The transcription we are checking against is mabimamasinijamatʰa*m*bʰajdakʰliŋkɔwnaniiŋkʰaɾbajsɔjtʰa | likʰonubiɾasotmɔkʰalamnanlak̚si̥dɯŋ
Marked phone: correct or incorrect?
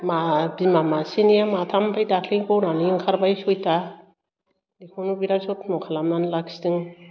correct